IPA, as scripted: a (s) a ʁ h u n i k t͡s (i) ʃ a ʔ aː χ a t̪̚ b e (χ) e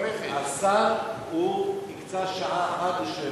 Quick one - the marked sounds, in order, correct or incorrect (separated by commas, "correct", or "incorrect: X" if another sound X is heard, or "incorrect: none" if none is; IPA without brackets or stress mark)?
correct, incorrect: a, incorrect: ʃ